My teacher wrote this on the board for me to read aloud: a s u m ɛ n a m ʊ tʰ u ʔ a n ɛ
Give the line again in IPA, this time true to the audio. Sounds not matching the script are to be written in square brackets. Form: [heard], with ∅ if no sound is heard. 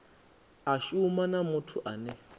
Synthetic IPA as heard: a [ʃ] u m [a] n a m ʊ tʰ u ʔ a n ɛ